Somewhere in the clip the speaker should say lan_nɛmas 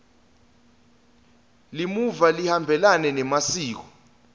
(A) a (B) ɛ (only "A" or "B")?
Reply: B